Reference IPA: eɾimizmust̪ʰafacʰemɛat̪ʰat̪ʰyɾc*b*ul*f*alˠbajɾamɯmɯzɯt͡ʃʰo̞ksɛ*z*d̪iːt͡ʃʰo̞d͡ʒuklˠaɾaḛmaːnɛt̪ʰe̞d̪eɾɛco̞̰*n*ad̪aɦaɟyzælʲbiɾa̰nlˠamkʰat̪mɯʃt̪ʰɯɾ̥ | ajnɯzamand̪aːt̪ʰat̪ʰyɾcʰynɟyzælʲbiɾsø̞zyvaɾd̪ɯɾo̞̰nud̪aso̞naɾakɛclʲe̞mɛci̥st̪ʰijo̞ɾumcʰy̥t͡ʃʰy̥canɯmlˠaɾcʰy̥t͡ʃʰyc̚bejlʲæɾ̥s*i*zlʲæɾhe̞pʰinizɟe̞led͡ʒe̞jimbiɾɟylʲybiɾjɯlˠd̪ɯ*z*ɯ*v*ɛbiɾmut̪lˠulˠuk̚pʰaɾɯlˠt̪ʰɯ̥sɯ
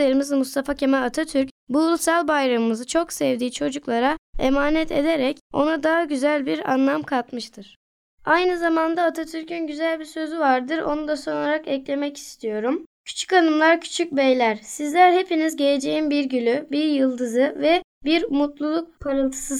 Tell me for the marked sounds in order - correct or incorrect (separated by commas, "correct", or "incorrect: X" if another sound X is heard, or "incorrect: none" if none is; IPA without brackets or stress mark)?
correct, incorrect: s, incorrect: v, correct, correct, correct, correct